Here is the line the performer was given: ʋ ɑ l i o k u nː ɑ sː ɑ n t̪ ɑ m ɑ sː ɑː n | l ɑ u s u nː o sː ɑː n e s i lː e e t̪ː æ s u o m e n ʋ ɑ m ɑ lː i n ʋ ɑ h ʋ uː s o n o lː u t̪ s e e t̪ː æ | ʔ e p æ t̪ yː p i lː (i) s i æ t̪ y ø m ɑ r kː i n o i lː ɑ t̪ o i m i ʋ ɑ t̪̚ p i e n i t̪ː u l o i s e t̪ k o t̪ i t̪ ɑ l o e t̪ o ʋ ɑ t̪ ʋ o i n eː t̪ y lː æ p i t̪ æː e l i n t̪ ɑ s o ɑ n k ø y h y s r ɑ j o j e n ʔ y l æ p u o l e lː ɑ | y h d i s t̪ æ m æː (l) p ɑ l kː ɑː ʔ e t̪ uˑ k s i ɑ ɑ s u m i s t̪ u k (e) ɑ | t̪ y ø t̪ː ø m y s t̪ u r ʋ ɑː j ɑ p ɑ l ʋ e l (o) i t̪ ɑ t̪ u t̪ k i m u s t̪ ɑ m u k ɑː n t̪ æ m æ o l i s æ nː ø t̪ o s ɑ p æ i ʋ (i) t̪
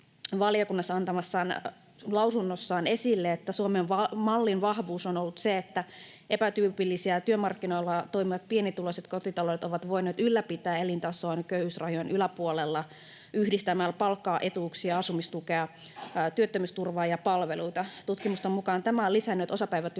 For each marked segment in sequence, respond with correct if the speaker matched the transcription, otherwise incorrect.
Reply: correct, correct, correct, incorrect: u, incorrect: æ

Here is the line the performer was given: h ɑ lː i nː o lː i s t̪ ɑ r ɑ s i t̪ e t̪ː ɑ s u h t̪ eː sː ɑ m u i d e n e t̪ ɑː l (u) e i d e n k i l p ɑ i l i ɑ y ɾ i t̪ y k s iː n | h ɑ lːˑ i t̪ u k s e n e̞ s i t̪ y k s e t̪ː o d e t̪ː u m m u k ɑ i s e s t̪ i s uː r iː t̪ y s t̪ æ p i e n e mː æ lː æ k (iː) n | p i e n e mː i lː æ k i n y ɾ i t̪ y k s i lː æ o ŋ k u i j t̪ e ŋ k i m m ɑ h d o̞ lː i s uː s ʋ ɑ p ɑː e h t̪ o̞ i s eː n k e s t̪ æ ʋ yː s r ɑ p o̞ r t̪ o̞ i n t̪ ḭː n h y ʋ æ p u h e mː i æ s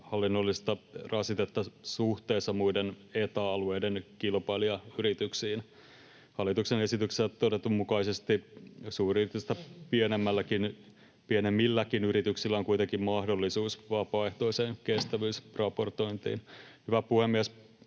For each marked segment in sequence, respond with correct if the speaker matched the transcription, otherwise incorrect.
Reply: correct, incorrect: i

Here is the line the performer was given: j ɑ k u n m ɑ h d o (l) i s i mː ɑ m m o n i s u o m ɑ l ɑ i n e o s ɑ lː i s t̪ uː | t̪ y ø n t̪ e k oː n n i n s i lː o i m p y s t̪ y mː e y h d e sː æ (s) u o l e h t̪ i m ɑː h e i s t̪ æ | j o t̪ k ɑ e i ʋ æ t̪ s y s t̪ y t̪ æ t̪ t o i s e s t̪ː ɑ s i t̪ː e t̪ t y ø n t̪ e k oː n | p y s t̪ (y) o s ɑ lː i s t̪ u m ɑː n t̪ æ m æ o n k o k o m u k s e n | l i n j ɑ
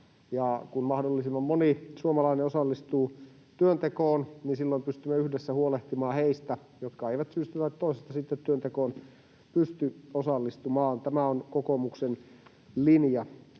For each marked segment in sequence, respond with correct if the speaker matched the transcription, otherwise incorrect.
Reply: incorrect: lː, incorrect: h, correct

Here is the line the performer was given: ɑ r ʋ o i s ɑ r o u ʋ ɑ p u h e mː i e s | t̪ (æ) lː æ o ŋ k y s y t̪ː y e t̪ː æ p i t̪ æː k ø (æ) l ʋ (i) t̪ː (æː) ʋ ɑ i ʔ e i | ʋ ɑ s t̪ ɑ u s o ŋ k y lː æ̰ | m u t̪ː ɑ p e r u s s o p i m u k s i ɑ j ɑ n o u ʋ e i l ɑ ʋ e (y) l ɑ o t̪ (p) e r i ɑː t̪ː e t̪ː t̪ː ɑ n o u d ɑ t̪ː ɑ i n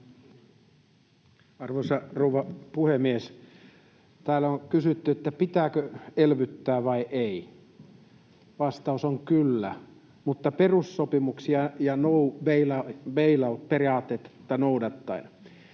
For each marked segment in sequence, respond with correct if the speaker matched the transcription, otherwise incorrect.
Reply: incorrect: æː, incorrect: e, incorrect: y, correct, incorrect: i, correct

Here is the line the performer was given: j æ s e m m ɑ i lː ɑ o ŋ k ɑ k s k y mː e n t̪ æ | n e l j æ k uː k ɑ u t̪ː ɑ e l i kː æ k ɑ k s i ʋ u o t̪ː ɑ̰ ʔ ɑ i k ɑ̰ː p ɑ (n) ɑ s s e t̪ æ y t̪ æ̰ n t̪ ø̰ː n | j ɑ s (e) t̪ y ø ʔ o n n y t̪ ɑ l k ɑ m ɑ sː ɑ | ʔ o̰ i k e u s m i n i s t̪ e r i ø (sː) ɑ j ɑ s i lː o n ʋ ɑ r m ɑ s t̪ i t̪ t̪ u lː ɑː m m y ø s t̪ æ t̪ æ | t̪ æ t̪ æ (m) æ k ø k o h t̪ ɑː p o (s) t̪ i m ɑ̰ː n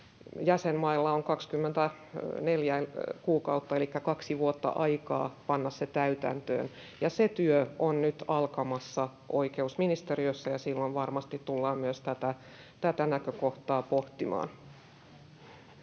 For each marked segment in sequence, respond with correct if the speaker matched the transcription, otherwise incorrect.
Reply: incorrect: nː, correct, correct, incorrect: n, incorrect: h

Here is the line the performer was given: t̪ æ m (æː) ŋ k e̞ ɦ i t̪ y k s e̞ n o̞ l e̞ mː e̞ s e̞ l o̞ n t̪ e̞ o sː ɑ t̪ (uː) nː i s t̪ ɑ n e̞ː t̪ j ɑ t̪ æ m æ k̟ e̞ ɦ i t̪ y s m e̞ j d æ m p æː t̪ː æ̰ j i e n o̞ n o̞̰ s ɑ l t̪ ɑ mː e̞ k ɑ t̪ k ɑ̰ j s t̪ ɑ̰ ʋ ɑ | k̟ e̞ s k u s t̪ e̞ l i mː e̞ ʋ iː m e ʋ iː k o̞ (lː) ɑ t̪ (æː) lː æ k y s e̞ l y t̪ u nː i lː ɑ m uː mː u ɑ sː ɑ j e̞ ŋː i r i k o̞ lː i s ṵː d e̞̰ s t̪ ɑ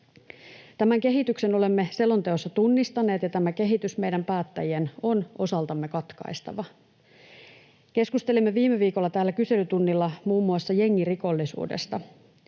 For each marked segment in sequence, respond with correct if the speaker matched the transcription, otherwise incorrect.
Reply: incorrect: æ, incorrect: u, correct, correct

